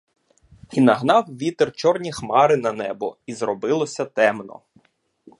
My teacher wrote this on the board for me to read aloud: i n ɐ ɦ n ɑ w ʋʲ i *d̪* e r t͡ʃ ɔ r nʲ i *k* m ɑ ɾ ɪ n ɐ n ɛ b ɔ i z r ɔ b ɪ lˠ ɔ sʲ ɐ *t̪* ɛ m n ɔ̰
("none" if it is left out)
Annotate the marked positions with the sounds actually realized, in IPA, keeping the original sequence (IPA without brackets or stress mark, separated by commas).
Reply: t̪, x, t̪